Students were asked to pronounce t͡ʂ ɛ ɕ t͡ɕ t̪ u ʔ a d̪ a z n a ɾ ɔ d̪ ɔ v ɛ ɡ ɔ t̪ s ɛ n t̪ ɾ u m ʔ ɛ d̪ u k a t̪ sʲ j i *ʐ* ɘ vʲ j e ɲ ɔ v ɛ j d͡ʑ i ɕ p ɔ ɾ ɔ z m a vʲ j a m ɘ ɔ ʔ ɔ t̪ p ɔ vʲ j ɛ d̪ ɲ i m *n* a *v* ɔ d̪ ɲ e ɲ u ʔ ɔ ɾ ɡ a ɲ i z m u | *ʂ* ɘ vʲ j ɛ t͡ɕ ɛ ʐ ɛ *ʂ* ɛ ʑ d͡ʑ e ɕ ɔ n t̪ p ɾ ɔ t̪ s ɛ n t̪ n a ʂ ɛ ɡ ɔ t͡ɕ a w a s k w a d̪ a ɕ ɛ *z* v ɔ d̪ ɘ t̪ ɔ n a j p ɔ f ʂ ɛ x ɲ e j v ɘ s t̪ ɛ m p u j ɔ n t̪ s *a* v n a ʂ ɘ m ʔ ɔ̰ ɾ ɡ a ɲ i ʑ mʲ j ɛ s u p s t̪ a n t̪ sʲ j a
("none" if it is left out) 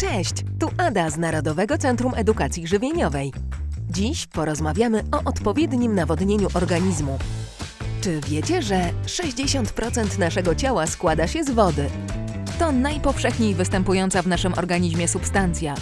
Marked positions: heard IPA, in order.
ʐ, n, v, t͡ʂ, ʂ, z, a

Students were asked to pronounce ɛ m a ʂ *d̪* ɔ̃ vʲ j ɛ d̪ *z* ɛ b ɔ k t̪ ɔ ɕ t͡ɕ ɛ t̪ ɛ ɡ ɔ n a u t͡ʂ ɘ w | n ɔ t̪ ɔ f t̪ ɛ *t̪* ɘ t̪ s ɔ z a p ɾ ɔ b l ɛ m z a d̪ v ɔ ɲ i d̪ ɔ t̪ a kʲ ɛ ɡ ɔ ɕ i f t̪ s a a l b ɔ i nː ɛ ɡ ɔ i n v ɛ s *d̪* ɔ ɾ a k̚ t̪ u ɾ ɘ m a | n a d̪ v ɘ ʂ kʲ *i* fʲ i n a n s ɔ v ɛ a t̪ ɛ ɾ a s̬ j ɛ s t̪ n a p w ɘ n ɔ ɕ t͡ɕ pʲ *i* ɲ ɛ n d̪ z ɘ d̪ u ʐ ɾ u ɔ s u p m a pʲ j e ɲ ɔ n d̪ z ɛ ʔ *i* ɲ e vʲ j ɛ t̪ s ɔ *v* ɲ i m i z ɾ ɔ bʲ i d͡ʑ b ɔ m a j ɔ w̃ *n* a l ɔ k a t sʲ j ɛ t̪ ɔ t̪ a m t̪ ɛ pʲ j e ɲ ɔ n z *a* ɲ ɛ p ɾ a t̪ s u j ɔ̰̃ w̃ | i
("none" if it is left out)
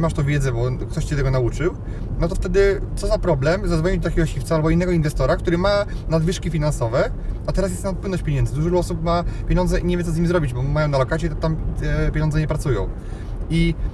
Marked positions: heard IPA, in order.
t̪, z, d̪, t̪, i, e, i, z, n, ɛ

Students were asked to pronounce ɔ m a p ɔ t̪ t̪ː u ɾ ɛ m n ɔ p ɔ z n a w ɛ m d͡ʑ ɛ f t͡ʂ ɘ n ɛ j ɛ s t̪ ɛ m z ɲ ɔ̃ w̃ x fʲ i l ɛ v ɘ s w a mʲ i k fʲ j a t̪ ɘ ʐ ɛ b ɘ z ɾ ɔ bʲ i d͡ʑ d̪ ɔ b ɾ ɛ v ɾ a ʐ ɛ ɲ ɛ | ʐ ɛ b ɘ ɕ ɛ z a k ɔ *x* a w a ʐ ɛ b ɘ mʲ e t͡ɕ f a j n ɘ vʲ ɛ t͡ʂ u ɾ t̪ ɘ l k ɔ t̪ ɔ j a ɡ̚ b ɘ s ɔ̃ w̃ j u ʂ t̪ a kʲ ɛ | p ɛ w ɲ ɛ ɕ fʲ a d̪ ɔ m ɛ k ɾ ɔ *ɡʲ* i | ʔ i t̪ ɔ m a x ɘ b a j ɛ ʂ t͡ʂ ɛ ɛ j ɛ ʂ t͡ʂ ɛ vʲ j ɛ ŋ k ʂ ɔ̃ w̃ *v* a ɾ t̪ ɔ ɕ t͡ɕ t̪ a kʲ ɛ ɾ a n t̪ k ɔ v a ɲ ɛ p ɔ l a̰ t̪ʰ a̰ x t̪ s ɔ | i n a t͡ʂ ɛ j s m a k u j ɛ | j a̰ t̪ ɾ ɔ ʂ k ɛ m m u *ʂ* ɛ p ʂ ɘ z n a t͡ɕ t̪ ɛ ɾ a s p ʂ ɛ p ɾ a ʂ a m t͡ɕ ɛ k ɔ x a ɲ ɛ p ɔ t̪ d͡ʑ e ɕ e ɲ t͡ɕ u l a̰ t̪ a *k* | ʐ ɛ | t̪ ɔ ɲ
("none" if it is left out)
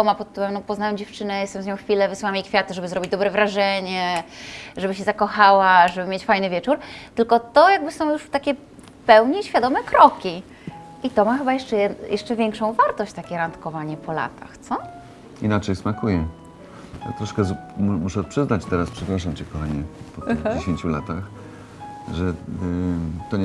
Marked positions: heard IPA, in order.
x, kʲ, v, ʂ, x

